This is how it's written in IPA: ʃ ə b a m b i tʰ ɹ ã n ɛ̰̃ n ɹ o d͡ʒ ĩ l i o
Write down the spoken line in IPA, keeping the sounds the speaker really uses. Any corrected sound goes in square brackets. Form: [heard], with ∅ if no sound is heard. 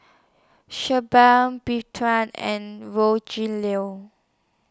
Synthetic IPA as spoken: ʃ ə b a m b i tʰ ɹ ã n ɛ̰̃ n ɹ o d͡ʒ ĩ l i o